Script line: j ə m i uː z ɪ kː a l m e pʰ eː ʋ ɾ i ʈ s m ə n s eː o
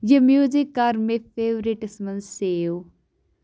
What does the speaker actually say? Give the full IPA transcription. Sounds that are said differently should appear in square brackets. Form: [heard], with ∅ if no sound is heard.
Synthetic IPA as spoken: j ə m [j] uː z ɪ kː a [ɾ] m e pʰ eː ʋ ɾ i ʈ s m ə n s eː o